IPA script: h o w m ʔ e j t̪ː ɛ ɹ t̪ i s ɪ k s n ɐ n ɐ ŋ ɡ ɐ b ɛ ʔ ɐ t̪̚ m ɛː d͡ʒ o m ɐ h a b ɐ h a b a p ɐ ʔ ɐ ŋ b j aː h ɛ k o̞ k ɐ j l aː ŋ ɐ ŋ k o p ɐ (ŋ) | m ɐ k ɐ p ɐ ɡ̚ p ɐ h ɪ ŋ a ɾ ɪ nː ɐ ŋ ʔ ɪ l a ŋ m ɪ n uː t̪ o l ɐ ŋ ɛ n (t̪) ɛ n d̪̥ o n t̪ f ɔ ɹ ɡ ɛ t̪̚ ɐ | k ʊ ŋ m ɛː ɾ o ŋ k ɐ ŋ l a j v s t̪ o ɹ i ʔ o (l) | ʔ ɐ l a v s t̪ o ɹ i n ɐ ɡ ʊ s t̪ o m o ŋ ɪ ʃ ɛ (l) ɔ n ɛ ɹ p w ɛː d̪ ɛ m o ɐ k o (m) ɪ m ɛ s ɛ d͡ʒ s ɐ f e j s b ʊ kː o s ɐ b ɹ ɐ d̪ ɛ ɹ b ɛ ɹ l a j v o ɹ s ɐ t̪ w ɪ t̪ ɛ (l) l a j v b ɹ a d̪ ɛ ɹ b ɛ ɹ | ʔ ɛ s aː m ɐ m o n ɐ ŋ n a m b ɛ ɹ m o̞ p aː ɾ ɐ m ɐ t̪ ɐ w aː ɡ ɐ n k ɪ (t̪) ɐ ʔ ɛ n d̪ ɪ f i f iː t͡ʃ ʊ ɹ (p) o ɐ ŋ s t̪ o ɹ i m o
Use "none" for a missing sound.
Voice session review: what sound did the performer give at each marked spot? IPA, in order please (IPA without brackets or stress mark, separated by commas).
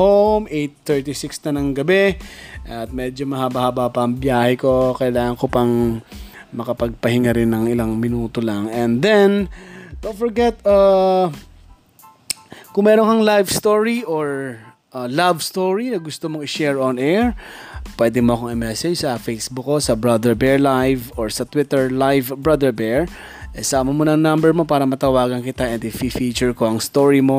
ŋ, d̪, ɹ, ɹ, ŋ, ɹ, t̪, k